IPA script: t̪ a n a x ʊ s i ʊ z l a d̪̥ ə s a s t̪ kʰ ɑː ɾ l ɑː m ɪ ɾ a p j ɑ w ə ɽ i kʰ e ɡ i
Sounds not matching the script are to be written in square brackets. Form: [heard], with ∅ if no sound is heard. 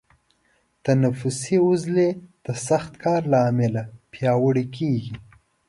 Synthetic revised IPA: t̪ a n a [f] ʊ s i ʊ z l [e] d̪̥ ə s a [x] t̪ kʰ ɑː ɾ l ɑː m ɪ [l] a p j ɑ w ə ɽ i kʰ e ɡ i

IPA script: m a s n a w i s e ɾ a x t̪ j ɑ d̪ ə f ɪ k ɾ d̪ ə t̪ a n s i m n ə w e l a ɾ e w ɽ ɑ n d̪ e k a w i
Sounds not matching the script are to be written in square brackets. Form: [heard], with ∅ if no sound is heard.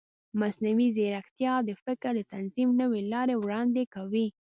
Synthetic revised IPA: m a s n a w i [z] e ɾ a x t̪ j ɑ d̪ ə f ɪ k ɾ d̪ ə t̪ a n [z] i m n ə w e l [ɑ] ɾ e w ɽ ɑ n d̪ e k a w i

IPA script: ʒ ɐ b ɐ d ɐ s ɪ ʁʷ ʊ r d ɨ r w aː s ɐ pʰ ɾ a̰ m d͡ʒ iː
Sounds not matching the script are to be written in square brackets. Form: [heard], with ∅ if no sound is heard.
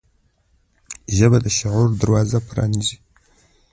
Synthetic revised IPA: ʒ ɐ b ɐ d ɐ [ʃ] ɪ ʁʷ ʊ r d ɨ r w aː [z] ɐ pʰ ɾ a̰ [n] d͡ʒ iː

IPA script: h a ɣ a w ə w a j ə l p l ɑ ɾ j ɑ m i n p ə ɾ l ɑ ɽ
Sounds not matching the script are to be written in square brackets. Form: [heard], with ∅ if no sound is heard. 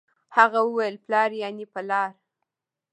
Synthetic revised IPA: h a ɣ a w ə w a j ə l p l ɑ ɾ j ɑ [n] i [∅] p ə [∅] l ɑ [ɾ]

